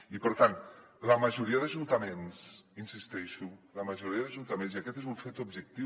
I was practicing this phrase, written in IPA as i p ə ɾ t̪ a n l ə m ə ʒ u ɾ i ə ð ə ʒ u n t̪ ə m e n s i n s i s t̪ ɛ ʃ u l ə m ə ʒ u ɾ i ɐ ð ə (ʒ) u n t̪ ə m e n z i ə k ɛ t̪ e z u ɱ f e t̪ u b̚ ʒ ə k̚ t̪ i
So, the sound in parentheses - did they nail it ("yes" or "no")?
yes